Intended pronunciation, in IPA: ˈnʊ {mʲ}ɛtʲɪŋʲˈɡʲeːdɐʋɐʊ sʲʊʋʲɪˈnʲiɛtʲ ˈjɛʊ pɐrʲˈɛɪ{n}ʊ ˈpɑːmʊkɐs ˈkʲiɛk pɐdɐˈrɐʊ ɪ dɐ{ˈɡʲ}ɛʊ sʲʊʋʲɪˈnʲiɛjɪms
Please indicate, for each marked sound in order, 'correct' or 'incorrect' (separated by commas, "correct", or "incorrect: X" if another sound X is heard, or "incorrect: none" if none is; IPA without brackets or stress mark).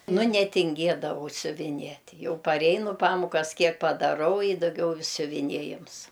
incorrect: nʲ, correct, correct